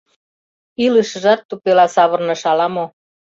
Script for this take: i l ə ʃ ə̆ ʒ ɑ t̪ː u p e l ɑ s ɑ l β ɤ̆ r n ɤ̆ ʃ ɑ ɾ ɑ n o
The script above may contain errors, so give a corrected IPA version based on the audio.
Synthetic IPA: i l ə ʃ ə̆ ʒ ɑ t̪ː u p e l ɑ s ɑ β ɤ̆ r n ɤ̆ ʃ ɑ l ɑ m o